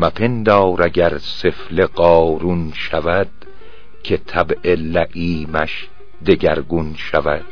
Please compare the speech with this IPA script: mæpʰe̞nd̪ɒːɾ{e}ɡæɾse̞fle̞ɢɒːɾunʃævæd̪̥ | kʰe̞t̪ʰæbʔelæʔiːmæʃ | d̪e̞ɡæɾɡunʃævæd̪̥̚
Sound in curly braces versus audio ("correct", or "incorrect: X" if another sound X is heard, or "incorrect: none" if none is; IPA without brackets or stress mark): incorrect: æ